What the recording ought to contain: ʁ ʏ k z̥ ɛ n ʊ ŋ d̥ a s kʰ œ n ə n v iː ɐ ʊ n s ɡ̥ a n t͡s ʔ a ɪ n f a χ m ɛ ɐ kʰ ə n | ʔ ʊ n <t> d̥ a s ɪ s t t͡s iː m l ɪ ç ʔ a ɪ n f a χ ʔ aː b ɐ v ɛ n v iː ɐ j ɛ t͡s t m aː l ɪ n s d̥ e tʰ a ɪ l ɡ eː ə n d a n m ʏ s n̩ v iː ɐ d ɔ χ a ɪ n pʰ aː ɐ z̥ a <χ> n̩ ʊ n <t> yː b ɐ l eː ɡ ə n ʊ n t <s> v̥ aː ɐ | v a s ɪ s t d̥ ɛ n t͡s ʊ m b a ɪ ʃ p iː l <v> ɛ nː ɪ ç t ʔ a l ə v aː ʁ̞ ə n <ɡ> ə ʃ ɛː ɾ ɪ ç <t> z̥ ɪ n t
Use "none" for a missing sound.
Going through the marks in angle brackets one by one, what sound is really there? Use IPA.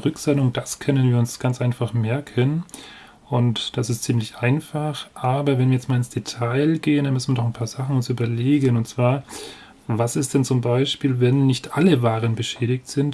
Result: t, χ, s, t͡s, v, b, t

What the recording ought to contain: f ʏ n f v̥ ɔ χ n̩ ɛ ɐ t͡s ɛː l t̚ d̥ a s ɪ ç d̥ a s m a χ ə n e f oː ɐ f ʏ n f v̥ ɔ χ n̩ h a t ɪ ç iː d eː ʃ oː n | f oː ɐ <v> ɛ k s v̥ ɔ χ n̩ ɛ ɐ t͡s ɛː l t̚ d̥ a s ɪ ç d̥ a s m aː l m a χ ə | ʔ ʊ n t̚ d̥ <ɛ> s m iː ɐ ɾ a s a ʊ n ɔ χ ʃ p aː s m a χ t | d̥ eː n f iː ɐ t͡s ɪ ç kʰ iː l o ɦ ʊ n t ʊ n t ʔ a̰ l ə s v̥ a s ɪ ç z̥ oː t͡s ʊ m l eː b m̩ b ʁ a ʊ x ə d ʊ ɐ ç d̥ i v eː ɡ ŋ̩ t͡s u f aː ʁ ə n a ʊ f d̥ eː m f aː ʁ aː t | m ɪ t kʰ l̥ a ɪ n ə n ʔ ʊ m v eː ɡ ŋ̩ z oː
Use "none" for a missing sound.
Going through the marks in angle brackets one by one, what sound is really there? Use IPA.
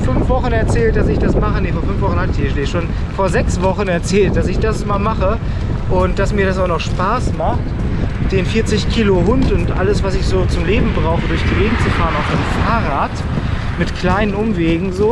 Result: z, a

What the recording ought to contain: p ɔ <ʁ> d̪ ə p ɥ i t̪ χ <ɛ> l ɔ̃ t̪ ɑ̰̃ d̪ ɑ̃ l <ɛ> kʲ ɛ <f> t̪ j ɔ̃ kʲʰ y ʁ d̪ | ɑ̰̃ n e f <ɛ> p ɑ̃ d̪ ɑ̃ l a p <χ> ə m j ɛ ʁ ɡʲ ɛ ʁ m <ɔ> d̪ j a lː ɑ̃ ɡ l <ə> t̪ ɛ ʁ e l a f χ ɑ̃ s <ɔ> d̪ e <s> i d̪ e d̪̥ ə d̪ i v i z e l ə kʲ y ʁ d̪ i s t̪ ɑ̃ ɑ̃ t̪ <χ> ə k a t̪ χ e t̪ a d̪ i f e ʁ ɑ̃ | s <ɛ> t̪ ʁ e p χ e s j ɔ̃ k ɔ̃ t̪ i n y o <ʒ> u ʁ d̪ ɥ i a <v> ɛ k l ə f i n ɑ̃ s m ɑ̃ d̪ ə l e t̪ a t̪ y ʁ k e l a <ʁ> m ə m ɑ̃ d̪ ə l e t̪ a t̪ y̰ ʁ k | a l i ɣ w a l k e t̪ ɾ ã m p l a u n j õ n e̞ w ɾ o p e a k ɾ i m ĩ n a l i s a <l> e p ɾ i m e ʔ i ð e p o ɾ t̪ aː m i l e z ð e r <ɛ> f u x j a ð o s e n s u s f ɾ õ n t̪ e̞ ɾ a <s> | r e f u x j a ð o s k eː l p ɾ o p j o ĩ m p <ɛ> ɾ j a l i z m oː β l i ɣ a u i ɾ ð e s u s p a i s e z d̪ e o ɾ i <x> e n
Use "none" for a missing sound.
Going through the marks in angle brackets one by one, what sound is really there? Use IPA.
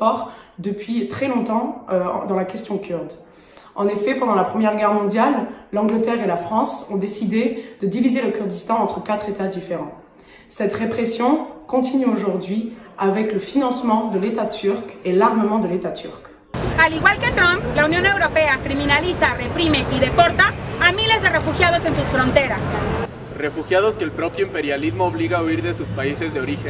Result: ʁ, ɛ, a, s, ɛ, χ, ɔ̃, ə, ɔ̃, s, χ, ɛ, ʒ, v, ʁ, r, e, s, e, x

